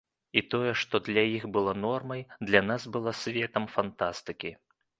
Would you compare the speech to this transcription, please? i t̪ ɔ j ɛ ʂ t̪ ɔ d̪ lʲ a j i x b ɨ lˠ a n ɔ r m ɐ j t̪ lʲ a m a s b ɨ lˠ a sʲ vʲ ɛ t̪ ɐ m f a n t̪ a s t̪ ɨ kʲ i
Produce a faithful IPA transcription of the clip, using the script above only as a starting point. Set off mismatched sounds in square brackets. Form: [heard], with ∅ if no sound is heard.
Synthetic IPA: i t̪ ɔ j ɛ ʂ t̪ ɔ d̪ lʲ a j i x b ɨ lˠ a n ɔ r m ɐ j [d̪] lʲ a [n] a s b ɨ lˠ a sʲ vʲ ɛ t̪ ɐ m f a n t̪ a s t̪ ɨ kʲ i

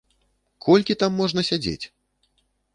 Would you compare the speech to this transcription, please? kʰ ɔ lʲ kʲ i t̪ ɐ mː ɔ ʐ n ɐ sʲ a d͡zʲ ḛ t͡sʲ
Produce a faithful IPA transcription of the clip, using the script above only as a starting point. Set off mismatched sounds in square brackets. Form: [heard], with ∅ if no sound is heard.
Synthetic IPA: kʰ ɔ lʲ kʲ i t̪ [a] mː ɔ ʐ n ɐ sʲ a d͡zʲ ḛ t͡sʲ

